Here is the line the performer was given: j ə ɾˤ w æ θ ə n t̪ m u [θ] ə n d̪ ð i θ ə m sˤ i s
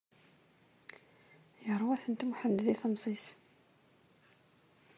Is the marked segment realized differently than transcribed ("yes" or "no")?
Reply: yes